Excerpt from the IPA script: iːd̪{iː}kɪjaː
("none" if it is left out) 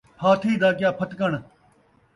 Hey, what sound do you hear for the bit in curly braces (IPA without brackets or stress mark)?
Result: aː